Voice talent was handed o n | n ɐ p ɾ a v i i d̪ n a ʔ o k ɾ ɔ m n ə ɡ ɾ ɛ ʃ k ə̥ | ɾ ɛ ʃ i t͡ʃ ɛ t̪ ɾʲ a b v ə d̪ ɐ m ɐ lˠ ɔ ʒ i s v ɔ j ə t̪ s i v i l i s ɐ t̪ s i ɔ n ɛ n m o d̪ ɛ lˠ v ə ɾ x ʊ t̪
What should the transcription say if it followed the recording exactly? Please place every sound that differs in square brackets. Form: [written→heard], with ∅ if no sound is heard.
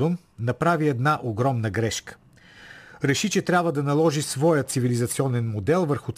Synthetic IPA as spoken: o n | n ɐ p ɾ a v i [i→ɛ] d̪ n a ʔ o [k→ɡ] ɾ ɔ m n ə ɡ ɾ ɛ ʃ k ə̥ | ɾ ɛ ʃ i t͡ʃ ɛ t̪ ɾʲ a b v ə d̪ ɐ [m→n] ɐ lˠ ɔ ʒ i s v ɔ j ə t̪ s i v i l i [s→z] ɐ t̪ s i ɔ n ɛ n m o d̪ ɛ lˠ v ə ɾ x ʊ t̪